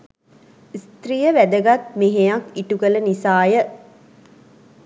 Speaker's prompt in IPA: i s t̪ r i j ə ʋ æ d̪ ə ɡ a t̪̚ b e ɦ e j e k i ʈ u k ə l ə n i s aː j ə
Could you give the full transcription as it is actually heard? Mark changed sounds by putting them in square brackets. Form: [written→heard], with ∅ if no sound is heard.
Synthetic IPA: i s t̪ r i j ə ʋ æ d̪ ə ɡ a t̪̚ [b→m] e ɦ e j [e→a] k i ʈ u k ə l ə n i s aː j ə